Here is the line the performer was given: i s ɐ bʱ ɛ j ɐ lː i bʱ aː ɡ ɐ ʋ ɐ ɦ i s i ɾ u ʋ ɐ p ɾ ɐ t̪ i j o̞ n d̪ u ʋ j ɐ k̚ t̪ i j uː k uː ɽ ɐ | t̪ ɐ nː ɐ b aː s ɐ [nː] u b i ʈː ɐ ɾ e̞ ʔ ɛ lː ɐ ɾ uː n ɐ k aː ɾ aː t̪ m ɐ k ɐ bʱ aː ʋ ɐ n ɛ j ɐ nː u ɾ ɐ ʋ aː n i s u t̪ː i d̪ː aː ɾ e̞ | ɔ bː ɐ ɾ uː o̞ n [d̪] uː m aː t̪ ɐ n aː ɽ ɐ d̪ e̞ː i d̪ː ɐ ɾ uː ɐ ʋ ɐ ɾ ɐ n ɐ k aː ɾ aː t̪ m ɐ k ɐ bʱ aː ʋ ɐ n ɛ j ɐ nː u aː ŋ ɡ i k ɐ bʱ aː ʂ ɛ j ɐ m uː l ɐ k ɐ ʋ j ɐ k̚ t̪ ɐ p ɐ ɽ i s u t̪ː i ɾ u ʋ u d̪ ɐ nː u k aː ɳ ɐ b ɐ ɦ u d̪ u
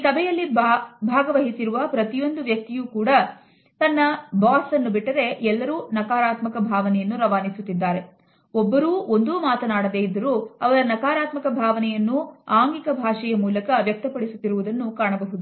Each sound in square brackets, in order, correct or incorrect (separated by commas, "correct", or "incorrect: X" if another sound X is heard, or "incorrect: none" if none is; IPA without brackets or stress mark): correct, correct